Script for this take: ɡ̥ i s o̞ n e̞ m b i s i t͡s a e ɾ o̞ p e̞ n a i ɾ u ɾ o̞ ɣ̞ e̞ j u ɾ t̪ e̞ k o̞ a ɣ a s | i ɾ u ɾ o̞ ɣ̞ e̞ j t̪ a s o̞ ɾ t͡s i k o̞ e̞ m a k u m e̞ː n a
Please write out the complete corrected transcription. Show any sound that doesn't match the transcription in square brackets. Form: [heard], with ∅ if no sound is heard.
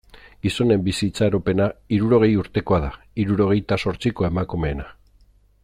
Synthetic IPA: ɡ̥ i s o̞ n e̞ m b i s i t͡s a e ɾ o̞ p e̞ n a i ɾ u ɾ o̞ ɣ̞ e̞ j u ɾ t̪ e̞ k o̞ a [ð] a [∅] | i ɾ u ɾ o̞ ɣ̞ e̞ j t̪ a s o̞ ɾ t͡s i k o̞ e̞ m a k u m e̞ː n a